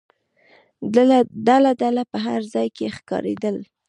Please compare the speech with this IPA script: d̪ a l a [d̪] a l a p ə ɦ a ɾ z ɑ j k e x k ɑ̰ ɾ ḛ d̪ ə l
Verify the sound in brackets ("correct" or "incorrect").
correct